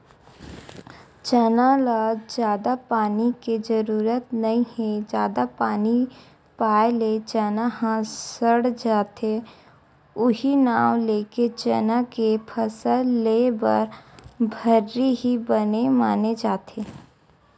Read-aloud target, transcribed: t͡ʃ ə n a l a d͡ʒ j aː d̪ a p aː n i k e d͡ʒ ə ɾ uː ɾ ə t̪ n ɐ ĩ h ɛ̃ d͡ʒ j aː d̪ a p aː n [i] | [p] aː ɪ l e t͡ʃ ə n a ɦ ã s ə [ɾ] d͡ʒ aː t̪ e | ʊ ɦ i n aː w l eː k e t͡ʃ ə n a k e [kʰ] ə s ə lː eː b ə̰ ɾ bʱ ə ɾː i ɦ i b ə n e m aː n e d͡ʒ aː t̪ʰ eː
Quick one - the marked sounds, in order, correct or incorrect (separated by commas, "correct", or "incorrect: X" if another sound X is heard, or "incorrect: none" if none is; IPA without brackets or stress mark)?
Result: correct, correct, incorrect: ɽ, incorrect: pʰ